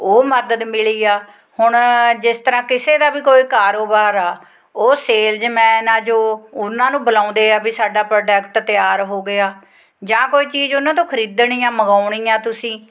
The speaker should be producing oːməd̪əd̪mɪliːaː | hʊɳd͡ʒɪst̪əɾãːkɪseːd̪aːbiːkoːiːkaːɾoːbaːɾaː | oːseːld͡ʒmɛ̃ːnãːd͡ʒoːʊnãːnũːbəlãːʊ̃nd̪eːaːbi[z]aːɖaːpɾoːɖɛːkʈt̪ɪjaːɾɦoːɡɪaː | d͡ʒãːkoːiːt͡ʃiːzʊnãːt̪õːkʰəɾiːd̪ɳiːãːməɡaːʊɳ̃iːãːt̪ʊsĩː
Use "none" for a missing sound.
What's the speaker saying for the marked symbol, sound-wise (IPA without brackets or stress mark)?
s